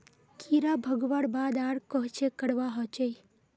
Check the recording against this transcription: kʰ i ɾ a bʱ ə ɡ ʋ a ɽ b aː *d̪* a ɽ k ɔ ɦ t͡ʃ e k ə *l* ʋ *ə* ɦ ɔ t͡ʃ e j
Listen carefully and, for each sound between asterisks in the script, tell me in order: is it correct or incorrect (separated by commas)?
correct, incorrect, incorrect